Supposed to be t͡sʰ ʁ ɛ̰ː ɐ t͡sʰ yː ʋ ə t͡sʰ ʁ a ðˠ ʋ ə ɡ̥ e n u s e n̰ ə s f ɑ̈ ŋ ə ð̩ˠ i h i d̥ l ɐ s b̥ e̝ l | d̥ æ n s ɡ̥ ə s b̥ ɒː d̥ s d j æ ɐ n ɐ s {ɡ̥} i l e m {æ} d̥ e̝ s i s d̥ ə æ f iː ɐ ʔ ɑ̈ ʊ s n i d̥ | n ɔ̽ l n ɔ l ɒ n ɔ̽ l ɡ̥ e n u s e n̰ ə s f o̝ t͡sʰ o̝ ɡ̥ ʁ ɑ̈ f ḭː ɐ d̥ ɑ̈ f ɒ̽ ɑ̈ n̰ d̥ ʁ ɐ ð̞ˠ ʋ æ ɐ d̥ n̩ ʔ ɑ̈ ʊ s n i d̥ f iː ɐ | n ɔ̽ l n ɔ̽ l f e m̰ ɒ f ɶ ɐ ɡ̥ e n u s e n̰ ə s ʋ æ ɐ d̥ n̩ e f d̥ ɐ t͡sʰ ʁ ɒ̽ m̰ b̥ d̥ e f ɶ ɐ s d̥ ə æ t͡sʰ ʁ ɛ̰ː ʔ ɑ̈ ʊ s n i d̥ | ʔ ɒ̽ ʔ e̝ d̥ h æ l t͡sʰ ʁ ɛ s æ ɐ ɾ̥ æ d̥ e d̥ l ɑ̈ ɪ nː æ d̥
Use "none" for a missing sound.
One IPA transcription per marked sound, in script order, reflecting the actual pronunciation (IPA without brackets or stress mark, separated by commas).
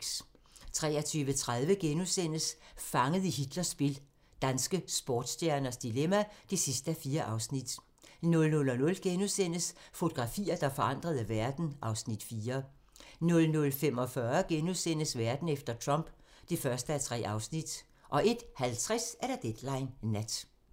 d̥, æ